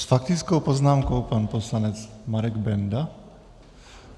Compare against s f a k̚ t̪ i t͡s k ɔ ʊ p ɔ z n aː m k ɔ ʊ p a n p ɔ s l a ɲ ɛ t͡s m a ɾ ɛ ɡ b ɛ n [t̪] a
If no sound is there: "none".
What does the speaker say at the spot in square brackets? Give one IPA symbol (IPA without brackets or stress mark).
d̪